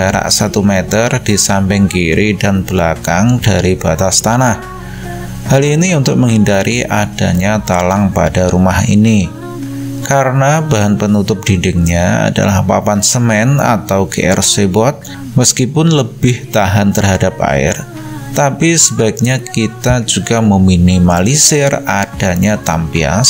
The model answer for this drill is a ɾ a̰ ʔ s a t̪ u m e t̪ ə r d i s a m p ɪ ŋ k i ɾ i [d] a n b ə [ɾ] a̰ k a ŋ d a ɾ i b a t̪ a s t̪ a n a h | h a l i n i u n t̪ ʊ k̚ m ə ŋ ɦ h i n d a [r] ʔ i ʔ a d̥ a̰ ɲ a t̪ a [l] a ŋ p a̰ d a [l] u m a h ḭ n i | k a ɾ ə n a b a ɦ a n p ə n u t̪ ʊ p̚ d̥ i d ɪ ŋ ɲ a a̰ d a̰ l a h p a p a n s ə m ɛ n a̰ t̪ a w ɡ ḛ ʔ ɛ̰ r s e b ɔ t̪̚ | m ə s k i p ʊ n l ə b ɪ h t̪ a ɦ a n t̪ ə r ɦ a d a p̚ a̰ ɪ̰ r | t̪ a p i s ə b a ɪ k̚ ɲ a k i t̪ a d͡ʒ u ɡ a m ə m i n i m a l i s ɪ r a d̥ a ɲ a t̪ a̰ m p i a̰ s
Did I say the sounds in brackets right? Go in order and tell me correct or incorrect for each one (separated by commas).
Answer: correct, incorrect, incorrect, correct, incorrect